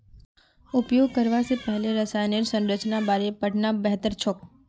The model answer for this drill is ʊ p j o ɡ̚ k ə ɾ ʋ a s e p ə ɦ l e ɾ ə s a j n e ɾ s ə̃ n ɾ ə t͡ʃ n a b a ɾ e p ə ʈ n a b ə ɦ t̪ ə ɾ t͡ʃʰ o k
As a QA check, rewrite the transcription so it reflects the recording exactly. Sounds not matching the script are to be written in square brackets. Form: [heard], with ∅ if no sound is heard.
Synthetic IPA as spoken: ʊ p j o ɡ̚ k ə ɾ ʋ a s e p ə ɦ l e ɾ ə s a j n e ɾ s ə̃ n ɾ ə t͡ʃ n a b a ɾ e p ə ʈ n a b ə ɦ t̪ ə ɾ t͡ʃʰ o k